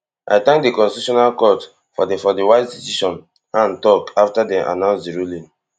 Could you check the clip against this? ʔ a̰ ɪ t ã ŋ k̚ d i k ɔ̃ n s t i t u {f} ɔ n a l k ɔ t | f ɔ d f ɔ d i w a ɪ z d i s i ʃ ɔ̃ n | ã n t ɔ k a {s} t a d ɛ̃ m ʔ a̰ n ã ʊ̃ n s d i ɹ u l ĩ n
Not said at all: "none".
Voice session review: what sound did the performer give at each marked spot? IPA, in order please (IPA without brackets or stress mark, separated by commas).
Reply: ʃ, f